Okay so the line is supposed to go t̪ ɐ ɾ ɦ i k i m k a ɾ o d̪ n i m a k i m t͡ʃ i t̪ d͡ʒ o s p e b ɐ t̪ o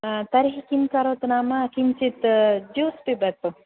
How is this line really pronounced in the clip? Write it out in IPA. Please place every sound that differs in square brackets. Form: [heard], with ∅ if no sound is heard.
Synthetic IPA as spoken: t̪ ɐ ɾ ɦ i k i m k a ɾ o [t̪] n [a] m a k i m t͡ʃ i t̪ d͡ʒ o s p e b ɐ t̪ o